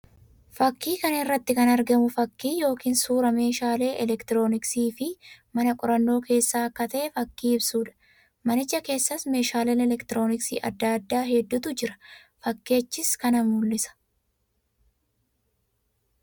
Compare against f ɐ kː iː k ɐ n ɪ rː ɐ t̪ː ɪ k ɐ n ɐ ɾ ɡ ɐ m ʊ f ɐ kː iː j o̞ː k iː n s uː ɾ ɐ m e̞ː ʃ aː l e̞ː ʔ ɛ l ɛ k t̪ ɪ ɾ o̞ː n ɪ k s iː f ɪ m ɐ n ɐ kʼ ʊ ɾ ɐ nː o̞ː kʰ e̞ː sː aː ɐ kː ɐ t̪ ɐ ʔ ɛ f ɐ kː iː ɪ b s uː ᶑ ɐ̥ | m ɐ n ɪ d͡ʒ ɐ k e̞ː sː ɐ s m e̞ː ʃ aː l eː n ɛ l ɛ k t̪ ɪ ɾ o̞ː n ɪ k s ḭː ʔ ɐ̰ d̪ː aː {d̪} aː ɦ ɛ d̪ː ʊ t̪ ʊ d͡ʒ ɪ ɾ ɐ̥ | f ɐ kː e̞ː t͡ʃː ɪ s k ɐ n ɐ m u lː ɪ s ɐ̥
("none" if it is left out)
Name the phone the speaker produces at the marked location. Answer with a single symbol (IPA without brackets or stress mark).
d̪ː